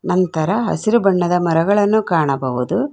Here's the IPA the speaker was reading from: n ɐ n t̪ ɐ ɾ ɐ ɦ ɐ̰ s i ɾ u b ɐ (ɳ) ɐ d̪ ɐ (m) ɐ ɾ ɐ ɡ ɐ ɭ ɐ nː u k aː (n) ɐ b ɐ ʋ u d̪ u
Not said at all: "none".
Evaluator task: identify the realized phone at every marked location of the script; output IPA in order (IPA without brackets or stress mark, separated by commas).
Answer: ɳː, m, ɳ